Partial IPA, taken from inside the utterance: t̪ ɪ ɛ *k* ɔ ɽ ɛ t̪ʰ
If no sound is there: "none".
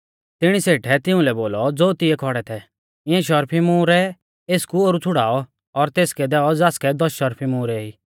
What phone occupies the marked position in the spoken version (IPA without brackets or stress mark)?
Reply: kʰ